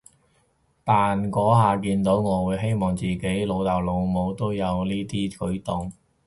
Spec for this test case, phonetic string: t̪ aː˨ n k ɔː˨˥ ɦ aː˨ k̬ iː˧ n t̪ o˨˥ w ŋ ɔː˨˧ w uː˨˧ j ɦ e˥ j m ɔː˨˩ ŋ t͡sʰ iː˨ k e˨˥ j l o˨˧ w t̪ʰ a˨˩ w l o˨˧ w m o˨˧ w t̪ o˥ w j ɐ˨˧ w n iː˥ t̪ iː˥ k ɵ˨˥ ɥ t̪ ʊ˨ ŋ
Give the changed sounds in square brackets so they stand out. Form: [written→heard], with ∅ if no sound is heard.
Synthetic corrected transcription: t̪ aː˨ n k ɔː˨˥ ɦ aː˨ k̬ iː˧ n t̪ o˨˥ w ŋ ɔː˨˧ w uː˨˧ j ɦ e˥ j m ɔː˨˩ ŋ [t͡sʰ→t͡s] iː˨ k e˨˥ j l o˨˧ w [t̪ʰ→t̪] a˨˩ w l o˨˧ w m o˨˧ w t̪ o˥ w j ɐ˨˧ w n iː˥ t̪ iː˥ k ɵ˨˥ ɥ t̪ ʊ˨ ŋ